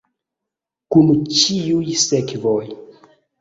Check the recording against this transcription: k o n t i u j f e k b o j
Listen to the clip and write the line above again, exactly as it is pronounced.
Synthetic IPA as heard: k u n t͡ʃ i u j s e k v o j